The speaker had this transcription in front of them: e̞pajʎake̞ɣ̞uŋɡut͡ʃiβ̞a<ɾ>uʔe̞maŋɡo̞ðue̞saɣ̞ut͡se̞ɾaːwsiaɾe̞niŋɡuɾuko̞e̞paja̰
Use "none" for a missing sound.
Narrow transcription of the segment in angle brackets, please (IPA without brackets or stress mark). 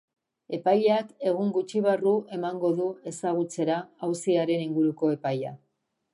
r